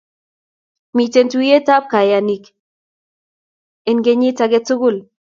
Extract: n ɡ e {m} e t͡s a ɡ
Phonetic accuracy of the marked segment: incorrect: ɲ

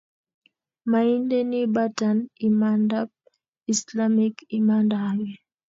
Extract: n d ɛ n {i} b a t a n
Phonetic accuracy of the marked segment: correct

